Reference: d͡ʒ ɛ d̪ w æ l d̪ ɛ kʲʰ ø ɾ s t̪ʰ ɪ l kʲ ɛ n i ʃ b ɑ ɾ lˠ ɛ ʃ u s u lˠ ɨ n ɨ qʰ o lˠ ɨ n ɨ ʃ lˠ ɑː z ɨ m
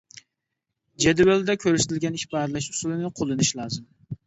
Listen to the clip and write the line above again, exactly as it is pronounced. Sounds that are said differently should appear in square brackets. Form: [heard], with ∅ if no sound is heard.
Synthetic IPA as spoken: d͡ʒ ɛ d̪ w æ l d̪ ɛ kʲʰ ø ɾ s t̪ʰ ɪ l [ɡʲ] ɛ n i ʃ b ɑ ɾ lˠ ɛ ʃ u s u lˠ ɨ n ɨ qʰ o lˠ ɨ n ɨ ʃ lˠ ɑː z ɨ m